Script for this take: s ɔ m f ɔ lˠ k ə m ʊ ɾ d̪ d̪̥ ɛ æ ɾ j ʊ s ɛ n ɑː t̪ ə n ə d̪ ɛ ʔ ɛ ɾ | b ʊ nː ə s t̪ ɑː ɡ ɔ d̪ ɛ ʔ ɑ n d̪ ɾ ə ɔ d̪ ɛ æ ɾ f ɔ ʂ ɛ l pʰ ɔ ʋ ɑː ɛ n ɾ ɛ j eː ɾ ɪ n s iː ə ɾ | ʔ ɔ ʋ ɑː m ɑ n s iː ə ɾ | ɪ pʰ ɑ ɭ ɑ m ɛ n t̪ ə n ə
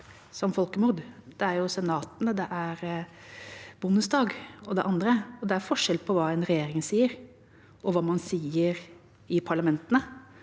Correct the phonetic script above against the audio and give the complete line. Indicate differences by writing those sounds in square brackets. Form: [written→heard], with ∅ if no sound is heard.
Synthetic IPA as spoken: s ɔ m f ɔ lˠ k ə m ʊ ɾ d̪ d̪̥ ɛ æ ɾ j ʊ s ɛ n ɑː t̪ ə n ə d̪ ɛ ʔ [ɛ→æ] ɾ | b ʊ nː ə s [t̪→d̪] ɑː ɡ ɔ d̪ ɛ ʔ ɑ n d̪ ɾ ə ɔ d̪ ɛ æ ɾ f ɔ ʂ ɛ l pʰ ɔ ʋ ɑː ɛ n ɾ ɛ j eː ɾ ɪ [n→ŋ] s iː ə ɾ | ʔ ɔ ʋ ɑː m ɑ n s iː ə ɾ | ɪ pʰ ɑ ɭ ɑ m ɛ n t̪ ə n ə